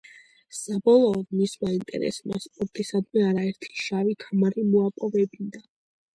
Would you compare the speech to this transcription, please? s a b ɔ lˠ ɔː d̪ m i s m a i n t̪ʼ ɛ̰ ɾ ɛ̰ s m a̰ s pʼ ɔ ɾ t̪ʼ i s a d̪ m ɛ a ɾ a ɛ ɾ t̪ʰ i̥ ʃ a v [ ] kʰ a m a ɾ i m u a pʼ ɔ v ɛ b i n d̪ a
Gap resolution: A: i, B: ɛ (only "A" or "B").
A